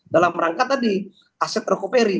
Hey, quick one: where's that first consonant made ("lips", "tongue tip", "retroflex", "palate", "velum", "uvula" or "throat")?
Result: tongue tip